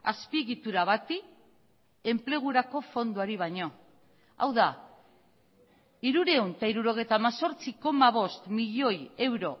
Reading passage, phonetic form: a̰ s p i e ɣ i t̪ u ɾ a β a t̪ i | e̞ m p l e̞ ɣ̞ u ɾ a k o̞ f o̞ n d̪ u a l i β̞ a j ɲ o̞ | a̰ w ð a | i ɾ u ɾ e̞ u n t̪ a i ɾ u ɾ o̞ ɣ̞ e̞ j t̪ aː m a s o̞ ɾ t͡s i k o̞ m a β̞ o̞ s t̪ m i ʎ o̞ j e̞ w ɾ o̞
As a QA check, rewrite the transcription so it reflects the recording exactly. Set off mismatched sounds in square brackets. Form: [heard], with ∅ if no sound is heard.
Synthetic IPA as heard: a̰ s p i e ɣ i t̪ u ɾ a β a t̪ i | e̞ m p l e̞ ɣ̞ u ɾ a k o̞ f o̞ n d̪ u a [ɾ] i β̞ a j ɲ o̞ | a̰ w ð a | i ɾ u ɾ e̞ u n t̪ a i ɾ u ɾ o̞ ɣ̞ e̞ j t̪ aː m a s o̞ ɾ t͡s i k o̞ m a β̞ o̞ s t̪ m i ʎ o̞ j e̞ w ɾ o̞